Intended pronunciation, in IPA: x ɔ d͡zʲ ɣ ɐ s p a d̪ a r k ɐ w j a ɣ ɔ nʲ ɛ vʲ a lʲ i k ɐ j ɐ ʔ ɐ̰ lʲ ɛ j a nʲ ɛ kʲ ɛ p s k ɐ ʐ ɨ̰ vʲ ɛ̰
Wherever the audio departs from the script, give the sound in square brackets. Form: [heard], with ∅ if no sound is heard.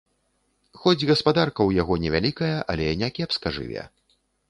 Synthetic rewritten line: x ɔ d͡zʲ ɣ ɐ s p a d̪ a r k ɐ w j a ɣ ɔ nʲ ɛ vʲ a lʲ i k ɐ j ɐ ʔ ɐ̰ lʲ ɛ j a nʲ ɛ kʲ ɛ p s k ɐ ʐ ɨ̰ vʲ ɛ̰